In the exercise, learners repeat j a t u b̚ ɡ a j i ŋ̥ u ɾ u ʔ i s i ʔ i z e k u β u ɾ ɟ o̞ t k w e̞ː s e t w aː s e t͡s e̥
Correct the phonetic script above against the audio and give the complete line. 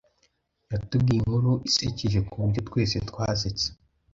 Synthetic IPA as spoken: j a t u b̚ ɡ i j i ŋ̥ u ɾ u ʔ i s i c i ʒ e k u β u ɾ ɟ o̞ t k w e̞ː s e t w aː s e t͡s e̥